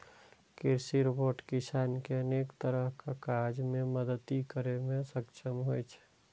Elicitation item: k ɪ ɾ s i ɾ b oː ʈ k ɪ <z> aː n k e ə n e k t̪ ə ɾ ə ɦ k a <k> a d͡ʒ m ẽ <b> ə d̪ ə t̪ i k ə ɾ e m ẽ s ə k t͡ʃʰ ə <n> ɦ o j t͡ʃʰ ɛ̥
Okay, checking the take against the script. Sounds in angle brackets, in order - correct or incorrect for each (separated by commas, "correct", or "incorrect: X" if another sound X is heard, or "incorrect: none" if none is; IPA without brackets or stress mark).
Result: incorrect: s, correct, incorrect: m, incorrect: m